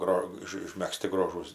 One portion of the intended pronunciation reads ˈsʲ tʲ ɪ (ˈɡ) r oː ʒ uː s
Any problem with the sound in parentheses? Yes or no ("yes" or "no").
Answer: no